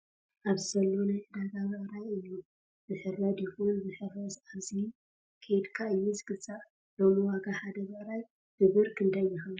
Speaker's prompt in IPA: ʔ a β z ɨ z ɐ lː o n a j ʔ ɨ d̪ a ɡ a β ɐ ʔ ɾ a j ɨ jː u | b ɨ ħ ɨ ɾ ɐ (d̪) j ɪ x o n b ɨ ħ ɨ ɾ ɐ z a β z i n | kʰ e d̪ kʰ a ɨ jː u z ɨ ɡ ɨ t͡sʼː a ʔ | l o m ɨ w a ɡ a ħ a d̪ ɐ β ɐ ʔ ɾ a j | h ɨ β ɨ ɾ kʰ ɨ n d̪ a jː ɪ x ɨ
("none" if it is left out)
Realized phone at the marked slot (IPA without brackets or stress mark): d̪